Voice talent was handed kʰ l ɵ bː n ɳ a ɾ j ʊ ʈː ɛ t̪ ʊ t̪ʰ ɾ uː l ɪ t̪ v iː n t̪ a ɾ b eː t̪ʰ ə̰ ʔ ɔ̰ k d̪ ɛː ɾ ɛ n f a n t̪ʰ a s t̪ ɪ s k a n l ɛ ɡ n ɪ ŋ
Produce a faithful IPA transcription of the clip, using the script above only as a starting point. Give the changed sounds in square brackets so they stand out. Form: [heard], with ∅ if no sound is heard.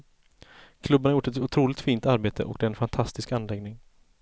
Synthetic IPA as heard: kʰ l ɵ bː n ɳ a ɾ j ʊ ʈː ɛ t̪ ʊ t̪ʰ ɾ uː l ɪ t̪ [f] iː n t̪ a ɾ b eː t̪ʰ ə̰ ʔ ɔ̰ k d̪ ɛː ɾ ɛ n f a n t̪ʰ a s t̪ ɪ s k a n l ɛ ɡ n ɪ ŋ

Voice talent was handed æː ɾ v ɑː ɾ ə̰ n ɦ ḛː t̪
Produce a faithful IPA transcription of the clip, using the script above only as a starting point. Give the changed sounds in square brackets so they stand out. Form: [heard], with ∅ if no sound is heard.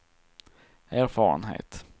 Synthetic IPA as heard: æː ɾ [f] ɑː ɾ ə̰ n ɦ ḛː t̪

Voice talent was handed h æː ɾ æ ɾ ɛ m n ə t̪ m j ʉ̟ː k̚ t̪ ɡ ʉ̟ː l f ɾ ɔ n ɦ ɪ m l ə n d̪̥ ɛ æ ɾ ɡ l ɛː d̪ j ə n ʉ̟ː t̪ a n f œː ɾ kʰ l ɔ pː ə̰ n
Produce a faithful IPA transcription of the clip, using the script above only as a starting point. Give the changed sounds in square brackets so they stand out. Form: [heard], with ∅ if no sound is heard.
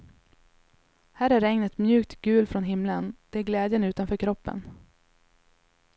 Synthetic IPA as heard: h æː ɾ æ ɾ ɛ [ŋ] n ə t̪ m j ʉ̟ː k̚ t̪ ɡ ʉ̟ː l f ɾ ɔ n ɦ ɪ m l ə n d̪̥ ɛ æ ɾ ɡ l ɛː d̪ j ə n ʉ̟ː t̪ a n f œː ɾ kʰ [ɾ] ɔ pː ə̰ n

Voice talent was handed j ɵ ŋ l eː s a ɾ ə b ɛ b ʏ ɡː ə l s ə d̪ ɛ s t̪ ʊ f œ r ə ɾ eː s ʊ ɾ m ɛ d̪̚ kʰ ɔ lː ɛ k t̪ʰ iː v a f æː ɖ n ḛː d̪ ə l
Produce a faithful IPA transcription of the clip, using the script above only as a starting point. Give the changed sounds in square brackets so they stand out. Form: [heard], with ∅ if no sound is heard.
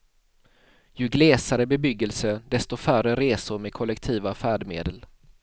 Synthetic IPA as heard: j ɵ [ɡ] l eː s a ɾ ə b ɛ b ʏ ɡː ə l s ə d̪ ɛ s t̪ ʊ f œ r ə ɾ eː s ʊ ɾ m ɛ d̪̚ kʰ ɔ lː ɛ k t̪ʰ iː v a f æː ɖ [m] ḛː d̪ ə l

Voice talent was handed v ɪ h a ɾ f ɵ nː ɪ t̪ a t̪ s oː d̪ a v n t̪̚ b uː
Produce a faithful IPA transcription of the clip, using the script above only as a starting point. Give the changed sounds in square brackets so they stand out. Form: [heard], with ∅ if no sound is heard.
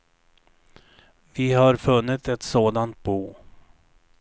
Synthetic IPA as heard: v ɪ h a ɾ f ɵ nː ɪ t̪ [ɛ] t̪ s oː d̪ a [∅] n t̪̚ b uː

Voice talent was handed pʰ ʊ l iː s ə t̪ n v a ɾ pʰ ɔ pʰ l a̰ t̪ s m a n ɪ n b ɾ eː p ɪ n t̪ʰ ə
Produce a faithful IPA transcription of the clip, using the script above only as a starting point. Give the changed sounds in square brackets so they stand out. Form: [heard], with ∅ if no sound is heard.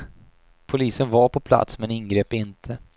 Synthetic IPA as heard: pʰ ʊ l iː s ə [∅] n v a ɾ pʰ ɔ pʰ l a̰ t̪ s m [ɛ] n ɪ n [ɡ] ɾ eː p ɪ n t̪ʰ ə

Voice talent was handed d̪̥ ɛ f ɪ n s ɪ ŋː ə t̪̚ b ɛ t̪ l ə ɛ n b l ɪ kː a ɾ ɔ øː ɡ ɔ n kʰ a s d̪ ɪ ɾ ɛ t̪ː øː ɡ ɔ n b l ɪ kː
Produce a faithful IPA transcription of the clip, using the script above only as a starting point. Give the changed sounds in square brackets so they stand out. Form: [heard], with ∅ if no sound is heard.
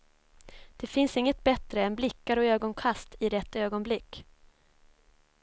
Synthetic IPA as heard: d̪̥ ɛ f ɪ n s ɪ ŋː ə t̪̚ b ɛ t̪ [ɾ] ə ɛ n b l ɪ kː a ɾ ɔ øː ɡ ɔ n kʰ a s [t̪] ɪ ɾ ɛ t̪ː øː ɡ ɔ n b l ɪ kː

